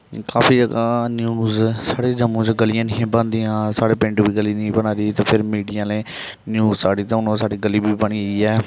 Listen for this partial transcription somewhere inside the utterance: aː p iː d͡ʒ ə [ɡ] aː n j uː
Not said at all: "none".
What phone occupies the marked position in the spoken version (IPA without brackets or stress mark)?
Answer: ɡ